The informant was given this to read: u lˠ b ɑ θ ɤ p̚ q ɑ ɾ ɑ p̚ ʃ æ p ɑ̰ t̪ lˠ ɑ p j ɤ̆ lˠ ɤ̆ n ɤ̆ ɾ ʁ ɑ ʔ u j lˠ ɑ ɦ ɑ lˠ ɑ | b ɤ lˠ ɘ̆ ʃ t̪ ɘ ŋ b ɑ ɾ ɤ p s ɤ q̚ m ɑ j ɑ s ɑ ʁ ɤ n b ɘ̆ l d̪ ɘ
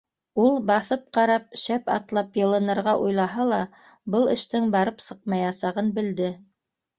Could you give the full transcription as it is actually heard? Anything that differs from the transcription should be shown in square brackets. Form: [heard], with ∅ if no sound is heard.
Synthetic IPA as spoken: u lˠ b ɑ θ ɤ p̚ q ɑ ɾ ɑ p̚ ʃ æ p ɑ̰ t̪ lˠ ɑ p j ɤ̆ lˠ ɤ̆ n ɤ̆ ɾ ʁ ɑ ʔ u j lˠ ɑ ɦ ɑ lˠ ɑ | b ɤ lˠ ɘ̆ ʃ t̪ ɘ ŋ b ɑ ɾ ɤ p s ɤ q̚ m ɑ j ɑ s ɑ ʁ ɤ n b ɘ̆ l d̪ ɘ